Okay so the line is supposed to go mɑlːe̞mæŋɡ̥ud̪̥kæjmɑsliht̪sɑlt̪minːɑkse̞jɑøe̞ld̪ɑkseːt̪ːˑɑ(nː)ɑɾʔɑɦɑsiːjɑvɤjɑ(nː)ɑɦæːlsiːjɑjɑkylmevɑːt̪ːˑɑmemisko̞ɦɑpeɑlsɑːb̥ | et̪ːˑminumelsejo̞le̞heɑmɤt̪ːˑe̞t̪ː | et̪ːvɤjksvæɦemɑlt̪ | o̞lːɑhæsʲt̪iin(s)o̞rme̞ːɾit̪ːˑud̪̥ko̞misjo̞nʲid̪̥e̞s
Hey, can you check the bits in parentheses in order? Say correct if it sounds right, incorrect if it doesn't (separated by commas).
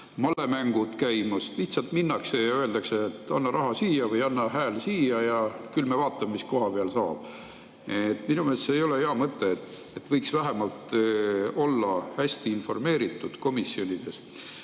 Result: correct, correct, incorrect